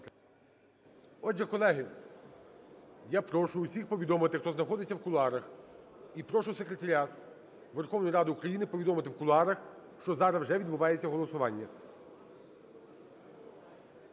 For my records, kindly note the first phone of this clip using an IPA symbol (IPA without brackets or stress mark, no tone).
ɔ